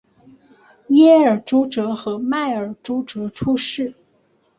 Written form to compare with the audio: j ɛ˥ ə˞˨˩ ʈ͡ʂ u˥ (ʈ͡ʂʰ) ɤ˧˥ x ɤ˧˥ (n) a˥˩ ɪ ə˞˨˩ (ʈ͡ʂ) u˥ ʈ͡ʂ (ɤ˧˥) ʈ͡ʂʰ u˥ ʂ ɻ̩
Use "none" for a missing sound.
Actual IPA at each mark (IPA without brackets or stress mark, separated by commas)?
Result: ʈ͡ʂ, m, ʈ͡ʂ, ɤ˧˥